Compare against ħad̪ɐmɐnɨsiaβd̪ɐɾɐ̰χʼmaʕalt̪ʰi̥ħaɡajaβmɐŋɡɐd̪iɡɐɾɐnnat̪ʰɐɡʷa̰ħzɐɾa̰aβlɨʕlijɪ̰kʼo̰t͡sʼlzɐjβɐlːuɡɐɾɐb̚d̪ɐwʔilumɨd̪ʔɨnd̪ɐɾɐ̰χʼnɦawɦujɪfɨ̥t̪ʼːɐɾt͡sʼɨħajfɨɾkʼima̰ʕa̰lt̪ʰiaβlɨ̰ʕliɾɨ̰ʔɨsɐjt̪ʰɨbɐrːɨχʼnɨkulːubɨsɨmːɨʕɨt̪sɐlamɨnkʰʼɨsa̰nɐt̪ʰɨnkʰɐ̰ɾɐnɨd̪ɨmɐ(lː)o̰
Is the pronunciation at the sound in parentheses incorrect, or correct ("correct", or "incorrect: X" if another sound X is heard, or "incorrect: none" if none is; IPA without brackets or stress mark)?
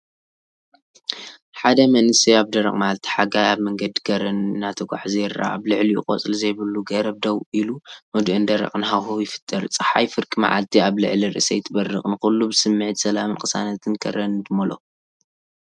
incorrect: l